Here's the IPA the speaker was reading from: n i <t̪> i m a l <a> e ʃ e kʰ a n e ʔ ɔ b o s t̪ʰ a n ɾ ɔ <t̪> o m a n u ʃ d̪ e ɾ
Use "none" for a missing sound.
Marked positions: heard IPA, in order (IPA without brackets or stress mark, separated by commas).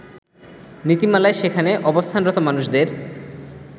t̪, a, t̪